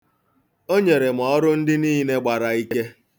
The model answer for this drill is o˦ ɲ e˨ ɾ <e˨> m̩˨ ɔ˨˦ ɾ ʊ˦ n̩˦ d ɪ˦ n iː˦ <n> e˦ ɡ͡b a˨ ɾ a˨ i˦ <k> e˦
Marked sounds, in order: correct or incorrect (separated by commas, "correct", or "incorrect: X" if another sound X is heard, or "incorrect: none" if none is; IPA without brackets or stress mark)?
correct, correct, correct